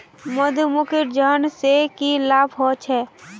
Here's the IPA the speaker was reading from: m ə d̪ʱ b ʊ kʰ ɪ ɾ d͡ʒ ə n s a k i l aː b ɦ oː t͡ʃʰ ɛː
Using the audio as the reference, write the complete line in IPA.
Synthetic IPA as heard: m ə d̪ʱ m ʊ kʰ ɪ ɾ d͡ʒ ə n s e k i l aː b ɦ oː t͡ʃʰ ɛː